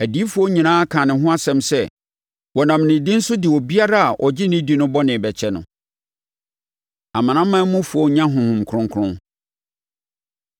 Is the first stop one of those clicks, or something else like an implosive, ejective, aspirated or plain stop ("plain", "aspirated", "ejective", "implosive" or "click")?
plain